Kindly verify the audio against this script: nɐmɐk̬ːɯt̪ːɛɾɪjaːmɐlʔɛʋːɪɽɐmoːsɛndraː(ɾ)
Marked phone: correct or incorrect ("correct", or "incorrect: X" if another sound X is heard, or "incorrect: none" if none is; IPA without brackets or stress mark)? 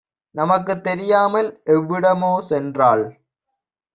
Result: incorrect: ɭ